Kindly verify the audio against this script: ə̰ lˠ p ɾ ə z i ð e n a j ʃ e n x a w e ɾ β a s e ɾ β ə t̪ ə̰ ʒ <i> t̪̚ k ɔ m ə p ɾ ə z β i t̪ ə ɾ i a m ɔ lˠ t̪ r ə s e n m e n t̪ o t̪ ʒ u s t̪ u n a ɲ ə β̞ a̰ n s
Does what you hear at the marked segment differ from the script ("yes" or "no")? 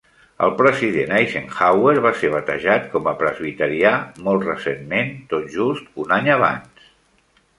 yes